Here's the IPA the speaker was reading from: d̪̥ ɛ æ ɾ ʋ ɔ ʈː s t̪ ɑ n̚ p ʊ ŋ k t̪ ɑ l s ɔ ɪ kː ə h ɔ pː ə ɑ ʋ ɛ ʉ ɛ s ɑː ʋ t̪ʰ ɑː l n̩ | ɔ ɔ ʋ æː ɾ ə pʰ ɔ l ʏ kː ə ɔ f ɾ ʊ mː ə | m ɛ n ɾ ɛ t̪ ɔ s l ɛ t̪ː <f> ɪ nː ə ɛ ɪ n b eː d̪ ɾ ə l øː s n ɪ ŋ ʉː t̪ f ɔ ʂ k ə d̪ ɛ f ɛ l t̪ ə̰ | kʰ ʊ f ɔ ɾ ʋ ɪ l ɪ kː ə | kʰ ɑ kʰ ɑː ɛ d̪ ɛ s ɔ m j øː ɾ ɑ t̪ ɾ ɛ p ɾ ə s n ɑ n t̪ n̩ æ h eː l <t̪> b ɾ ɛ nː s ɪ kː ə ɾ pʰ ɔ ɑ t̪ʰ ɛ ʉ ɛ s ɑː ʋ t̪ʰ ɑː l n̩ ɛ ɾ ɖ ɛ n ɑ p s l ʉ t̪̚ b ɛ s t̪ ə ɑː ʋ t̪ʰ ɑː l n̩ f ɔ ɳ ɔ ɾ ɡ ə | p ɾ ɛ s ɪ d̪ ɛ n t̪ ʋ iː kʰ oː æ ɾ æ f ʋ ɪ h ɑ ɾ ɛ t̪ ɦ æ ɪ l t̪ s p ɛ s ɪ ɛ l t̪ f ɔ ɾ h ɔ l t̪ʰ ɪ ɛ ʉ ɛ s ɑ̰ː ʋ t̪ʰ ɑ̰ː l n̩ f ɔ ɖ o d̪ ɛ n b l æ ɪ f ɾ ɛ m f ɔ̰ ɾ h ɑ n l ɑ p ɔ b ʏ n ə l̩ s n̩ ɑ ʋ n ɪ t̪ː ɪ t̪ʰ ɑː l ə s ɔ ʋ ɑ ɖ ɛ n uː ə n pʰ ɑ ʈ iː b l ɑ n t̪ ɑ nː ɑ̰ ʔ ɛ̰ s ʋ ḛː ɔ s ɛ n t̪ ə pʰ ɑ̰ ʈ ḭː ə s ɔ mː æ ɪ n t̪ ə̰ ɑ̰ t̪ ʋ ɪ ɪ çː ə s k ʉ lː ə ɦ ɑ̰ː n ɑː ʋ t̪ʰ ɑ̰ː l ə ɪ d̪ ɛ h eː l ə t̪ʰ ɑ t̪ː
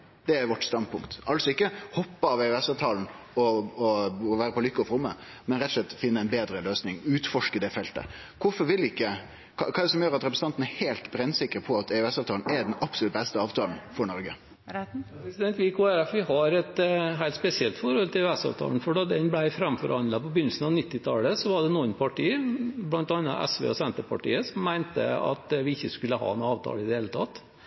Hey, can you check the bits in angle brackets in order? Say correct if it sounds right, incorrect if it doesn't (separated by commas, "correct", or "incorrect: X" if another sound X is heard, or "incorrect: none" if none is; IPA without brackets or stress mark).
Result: correct, correct